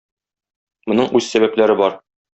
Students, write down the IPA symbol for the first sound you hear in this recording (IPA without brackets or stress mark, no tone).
m